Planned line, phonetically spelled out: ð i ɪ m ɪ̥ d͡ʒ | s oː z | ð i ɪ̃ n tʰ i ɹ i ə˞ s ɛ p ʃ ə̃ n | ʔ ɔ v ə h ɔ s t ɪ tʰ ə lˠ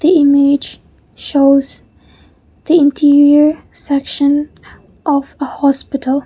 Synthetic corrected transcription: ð i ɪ m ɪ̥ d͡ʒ | ʃ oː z | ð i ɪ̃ n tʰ i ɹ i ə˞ s ɛ k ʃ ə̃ n | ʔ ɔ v ə h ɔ s p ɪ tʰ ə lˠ